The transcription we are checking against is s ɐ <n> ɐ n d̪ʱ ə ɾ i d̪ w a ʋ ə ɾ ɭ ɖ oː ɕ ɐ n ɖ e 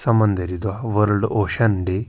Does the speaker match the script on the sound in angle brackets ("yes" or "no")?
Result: no